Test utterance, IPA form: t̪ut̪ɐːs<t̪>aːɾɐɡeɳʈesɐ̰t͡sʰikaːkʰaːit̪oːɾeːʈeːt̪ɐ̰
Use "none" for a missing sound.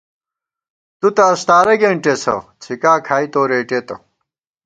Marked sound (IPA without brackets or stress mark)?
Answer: t̪